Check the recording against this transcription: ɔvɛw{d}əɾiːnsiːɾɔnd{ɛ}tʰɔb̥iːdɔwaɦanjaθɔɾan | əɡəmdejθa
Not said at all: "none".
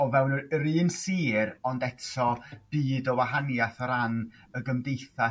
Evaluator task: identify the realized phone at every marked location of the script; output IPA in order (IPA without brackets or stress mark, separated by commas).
n, ɛ